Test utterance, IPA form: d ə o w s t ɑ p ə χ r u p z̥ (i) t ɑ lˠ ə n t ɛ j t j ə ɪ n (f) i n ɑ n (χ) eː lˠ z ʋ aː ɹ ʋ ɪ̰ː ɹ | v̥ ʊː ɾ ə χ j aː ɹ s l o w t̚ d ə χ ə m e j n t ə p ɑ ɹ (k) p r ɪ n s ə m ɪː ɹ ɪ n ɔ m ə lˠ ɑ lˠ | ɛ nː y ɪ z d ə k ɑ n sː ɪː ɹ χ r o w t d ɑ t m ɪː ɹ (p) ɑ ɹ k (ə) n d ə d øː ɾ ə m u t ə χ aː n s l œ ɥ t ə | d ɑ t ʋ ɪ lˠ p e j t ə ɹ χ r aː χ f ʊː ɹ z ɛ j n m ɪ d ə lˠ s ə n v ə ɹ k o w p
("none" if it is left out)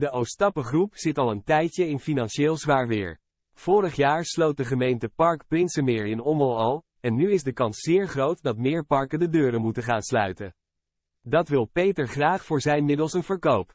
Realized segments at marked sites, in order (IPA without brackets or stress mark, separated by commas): ɪ, f, ʃ, k, p, ə